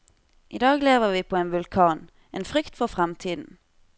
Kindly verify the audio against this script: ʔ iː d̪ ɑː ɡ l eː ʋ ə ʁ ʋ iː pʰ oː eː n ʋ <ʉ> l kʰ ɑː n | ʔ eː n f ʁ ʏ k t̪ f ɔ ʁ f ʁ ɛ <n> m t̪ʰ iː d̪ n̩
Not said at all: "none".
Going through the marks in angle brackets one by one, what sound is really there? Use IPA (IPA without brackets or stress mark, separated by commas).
ʉ, none